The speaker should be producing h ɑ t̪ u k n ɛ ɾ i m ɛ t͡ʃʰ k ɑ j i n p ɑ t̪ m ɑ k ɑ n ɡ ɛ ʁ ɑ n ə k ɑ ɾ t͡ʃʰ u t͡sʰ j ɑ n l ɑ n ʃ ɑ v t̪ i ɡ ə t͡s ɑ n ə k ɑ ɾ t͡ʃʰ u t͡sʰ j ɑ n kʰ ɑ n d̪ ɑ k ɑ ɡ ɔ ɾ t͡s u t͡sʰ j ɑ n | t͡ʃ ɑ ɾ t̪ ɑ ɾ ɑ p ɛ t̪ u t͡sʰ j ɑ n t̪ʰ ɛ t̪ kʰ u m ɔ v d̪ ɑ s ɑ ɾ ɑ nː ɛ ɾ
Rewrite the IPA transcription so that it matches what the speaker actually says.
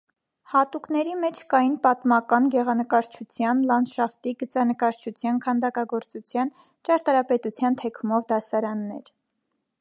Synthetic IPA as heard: h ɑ t̪ u k n ɛ ɾ i m ɛ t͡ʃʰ k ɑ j i n p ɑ t̪ m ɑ k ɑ n ɡ ɛ ʁ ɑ n ə k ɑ ɾ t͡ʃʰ u t͡sʰ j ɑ n l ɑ n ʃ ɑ f t̪ i ɡ ə t͡s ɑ n ə k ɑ ɾ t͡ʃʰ u t͡sʰ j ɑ n kʰ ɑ n d̪ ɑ k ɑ ɡ ɔ ɾ t͡s u t͡sʰ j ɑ n | t͡ʃ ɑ ɾ t̪ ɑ ɾ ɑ p ɛ t̪ u t͡sʰ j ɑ n t̪ʰ ɛ kʰ u m ɔ v d̪ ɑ s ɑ ɾ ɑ nː ɛ ɾ